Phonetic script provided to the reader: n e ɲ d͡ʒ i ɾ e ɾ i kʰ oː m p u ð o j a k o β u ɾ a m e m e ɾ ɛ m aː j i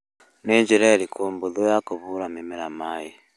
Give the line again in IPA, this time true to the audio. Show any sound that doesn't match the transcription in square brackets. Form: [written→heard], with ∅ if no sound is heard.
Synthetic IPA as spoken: n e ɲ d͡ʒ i ɾ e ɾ i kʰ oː m [p→b] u ð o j a k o β u ɾ a m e m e ɾ [ɛ→a] m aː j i